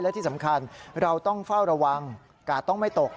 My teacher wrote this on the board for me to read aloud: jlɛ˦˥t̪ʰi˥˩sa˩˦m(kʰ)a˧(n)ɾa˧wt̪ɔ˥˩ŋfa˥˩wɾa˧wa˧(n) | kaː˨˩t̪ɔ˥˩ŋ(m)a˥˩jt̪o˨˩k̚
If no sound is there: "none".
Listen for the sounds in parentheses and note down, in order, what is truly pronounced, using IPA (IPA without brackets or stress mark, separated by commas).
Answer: kʰ, n, ŋ, m